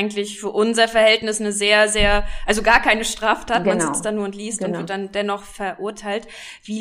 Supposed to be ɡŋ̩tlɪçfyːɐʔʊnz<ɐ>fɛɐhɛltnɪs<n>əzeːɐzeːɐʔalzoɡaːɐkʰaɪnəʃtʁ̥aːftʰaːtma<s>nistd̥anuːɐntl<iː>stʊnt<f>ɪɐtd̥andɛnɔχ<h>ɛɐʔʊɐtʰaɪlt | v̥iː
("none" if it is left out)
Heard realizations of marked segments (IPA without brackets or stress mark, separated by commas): ɐ, n, none, iː, v, f